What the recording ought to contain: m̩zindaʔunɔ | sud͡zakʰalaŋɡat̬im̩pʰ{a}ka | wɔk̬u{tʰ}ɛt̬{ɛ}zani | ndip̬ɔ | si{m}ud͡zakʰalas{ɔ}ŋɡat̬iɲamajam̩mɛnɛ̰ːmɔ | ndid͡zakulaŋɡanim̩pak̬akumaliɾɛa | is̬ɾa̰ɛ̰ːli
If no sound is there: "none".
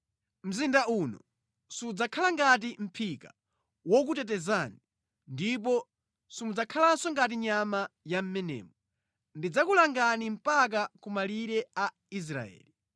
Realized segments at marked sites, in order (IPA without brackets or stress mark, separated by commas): i, t, ɛ, m, ɔ